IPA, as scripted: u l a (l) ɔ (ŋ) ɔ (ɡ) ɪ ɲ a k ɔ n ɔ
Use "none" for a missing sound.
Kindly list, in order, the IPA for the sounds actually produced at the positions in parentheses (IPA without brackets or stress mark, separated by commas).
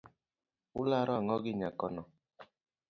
ɾ, ŋ, ɡ